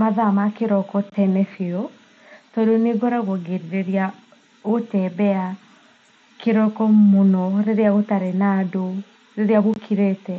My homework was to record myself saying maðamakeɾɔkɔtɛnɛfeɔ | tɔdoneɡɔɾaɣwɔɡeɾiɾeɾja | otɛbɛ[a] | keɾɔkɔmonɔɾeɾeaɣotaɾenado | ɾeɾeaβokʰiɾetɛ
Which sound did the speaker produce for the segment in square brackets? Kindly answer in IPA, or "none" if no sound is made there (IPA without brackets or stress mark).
a